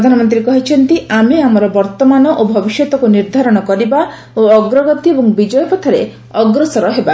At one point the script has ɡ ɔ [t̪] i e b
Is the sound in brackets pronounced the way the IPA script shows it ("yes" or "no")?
yes